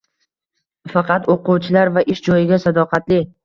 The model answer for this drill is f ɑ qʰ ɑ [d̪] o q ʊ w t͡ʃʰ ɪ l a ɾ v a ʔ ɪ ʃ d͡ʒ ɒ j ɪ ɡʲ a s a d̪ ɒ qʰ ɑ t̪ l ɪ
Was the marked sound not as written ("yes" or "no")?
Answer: yes